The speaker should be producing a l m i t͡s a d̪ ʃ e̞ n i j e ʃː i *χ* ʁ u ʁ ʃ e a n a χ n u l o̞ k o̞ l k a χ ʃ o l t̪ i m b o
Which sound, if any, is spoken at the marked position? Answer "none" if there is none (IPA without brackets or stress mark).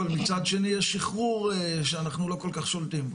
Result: χ